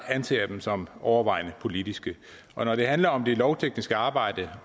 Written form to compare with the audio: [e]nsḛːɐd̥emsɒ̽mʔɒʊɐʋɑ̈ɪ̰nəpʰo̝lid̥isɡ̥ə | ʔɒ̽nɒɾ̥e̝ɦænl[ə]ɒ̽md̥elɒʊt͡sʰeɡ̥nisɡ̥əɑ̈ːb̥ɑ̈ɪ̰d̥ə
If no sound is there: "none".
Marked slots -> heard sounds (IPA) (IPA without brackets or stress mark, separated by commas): æ, ɐ